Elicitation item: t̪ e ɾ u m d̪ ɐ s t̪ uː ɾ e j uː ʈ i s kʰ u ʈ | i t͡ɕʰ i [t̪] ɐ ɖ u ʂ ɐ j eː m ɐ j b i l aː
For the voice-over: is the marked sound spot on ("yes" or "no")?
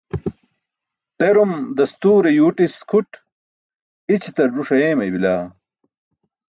yes